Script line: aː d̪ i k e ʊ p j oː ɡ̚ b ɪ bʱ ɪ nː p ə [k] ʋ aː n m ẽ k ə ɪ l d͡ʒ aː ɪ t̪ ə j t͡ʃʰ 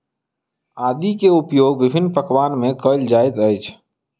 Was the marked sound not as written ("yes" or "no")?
no